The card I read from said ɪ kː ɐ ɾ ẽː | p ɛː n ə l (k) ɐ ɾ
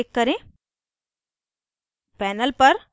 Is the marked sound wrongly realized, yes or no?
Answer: yes